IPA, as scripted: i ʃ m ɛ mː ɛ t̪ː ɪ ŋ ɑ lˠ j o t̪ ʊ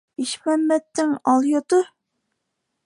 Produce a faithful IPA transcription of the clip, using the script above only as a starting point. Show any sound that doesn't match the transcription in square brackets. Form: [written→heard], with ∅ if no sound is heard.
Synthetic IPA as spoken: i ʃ m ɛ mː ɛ t̪ː ɪ ŋ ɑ lˠ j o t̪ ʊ